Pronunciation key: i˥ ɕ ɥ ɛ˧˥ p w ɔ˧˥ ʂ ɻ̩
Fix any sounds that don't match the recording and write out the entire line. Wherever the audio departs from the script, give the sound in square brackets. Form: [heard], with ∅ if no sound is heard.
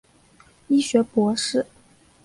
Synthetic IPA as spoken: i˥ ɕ ɥ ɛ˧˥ p w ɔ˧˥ ʂ ɻ̩